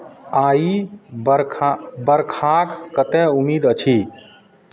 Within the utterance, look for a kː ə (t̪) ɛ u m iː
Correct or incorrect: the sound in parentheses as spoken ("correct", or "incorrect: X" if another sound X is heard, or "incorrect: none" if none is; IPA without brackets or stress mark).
correct